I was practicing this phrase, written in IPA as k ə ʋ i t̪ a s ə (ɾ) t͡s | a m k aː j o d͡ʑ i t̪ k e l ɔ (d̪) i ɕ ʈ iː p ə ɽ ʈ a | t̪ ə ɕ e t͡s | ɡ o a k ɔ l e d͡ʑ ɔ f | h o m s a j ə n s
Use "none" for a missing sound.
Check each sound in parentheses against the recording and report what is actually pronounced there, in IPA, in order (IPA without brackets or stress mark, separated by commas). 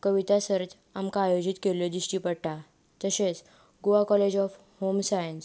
ɾ, d̪